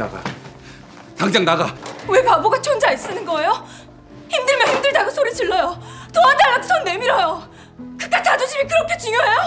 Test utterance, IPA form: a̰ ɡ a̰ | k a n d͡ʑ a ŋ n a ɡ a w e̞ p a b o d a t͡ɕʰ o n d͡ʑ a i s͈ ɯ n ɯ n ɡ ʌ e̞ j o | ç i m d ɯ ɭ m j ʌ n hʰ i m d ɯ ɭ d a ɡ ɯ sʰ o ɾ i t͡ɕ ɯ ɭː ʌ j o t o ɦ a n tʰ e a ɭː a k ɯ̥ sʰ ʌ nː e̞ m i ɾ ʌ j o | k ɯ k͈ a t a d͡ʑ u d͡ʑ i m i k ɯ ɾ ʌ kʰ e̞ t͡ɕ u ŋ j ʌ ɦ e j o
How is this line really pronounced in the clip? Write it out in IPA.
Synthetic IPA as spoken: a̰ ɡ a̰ | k a ŋ d͡ʑ a ŋ n a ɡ a w e̞ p a b o ɡ a t͡ɕʰ o n d͡ʑ a i s͈ ɯ n ɯ n ɡ ʌ e̞ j o | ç i m d ɯ ɭ m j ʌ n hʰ i m d ɯ ɭ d a ɡ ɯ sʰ o ɾ i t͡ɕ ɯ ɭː ʌ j o t o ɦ a n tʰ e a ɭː a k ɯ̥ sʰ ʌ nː e̞ m i ɾ ʌ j o | k ɯ k͈ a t a d͡ʑ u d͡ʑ i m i k ɯ ɾ ʌ kʰ e̞ t͡ɕ u ŋ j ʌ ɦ e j o